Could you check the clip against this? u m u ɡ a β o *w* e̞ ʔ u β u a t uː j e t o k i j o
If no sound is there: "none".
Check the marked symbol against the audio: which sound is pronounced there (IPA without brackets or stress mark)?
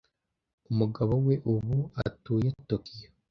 w